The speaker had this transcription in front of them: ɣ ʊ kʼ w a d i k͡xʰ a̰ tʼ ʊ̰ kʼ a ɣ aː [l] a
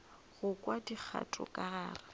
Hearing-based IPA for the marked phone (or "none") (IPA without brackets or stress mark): r